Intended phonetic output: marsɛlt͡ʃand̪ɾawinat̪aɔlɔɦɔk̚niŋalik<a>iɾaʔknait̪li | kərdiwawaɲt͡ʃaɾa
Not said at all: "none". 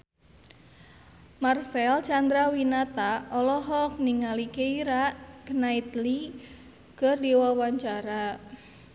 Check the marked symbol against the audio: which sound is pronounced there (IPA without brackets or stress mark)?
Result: e